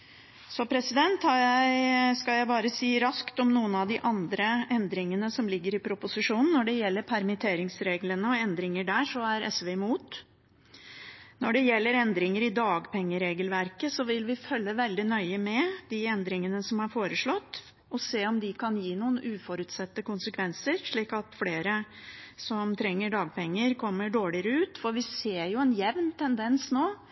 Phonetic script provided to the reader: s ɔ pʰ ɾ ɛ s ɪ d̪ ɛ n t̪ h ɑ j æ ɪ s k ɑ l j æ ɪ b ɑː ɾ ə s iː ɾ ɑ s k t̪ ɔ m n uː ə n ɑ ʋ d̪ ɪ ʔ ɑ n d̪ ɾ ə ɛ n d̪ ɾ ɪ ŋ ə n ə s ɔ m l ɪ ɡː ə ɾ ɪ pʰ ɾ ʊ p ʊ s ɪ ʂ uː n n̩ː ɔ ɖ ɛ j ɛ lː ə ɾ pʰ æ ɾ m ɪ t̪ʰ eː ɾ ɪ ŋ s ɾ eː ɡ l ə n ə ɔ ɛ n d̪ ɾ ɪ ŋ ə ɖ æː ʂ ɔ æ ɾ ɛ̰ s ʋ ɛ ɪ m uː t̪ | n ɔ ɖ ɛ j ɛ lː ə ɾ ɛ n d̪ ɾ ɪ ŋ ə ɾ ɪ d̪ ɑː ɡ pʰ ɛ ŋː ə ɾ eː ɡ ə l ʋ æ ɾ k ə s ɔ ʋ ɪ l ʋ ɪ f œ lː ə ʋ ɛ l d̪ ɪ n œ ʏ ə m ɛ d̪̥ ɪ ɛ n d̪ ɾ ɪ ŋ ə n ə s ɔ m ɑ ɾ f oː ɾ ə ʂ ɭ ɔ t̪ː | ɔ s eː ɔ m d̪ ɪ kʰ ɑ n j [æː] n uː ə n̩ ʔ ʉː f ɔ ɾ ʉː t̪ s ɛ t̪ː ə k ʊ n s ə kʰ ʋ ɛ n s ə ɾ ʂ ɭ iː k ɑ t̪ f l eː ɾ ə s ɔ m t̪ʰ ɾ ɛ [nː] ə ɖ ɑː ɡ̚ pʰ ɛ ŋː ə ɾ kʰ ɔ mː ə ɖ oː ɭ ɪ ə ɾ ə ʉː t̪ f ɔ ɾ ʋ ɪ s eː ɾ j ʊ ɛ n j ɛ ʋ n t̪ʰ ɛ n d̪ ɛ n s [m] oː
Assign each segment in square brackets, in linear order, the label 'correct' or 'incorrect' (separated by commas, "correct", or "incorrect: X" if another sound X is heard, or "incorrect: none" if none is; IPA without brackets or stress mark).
incorrect: iː, incorrect: ŋː, incorrect: n